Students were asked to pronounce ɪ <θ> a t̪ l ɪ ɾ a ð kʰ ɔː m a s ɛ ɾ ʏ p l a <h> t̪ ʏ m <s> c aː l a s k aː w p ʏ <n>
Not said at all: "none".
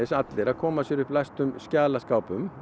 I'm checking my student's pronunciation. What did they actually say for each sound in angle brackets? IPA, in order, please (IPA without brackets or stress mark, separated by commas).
s, s, s, m